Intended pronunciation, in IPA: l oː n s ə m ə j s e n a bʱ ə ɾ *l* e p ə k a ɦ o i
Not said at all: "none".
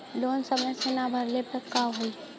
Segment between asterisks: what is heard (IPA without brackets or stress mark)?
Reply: l